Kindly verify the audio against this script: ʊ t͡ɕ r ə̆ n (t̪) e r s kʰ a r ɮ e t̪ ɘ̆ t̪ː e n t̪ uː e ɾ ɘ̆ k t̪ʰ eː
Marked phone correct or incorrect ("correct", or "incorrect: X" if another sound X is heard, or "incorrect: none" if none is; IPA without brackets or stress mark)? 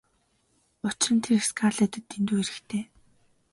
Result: incorrect: t̪ʰ